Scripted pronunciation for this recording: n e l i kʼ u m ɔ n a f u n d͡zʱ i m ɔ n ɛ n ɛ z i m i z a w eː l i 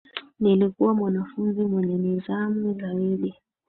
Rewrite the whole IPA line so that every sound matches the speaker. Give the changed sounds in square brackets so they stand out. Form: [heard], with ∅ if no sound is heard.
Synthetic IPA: n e l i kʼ [ɔ] m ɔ n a f u n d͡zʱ i m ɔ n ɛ n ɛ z [a] m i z a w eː l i